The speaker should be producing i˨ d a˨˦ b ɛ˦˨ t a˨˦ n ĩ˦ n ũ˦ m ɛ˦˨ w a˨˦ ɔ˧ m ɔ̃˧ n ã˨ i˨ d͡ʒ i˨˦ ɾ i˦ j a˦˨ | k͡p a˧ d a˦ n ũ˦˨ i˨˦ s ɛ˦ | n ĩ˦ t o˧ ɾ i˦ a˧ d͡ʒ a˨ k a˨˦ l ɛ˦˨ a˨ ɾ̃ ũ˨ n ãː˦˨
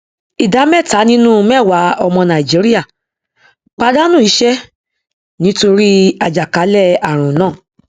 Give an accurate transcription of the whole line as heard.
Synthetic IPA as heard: i˨ d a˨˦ m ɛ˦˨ t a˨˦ n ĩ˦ n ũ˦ m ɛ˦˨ w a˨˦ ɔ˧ m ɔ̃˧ n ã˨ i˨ d͡ʒ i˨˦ ɾ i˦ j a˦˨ | k͡p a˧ d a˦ n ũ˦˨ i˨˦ ʃ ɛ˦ | n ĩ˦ t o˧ ɾ i˦ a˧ d͡ʒ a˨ k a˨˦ l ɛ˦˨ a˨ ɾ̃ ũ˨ n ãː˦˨